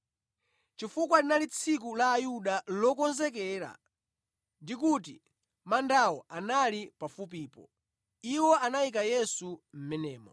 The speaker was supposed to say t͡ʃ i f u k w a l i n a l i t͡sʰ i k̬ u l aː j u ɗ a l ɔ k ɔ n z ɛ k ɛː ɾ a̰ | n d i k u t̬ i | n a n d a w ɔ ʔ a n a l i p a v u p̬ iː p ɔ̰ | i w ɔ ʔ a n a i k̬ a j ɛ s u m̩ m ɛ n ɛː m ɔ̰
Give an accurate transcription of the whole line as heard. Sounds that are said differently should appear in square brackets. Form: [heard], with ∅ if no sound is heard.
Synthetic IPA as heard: t͡ʃ i f u k w a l i n a l i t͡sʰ i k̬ u l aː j u ɗ a l ɔ k ɔ n z ɛ k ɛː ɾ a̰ | n d i k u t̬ i | [m] a n d a w ɔ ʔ a n a l i p a [f] u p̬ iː p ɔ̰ | i w ɔ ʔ a n a i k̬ a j ɛ s u m̩ m ɛ n ɛː m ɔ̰